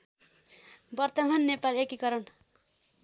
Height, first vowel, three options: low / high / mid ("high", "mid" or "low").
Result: mid